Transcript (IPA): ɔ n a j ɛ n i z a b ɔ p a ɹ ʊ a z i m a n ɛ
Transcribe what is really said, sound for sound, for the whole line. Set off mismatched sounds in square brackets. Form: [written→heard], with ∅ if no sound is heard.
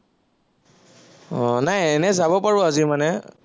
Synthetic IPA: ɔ n a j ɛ n [i→ɛ] z a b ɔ p a ɹ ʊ a z i m a n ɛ